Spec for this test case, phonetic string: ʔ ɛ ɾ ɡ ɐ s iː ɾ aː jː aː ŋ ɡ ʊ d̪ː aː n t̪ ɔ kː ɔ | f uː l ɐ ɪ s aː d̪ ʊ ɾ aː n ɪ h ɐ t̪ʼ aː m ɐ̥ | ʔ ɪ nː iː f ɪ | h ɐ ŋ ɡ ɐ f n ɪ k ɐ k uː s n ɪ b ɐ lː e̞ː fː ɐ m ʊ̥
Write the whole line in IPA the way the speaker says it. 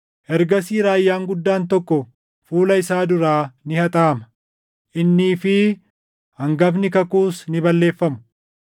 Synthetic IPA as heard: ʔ ɛ ɾ ɡ ɐ s iː ɾ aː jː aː ŋ ɡ ʊ d̪ː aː n t̪ ɔ kː ɔ | f uː l ɐ ɪ s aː d̪ ʊ ɾ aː n ɪ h ɐ t̪ʼ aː m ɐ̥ | ʔ ɪ nː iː f ɪ | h ɐ ŋ ɡ ɐ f n ɪ k ɐ k uː s n ɪ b ɐ lː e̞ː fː ɐ m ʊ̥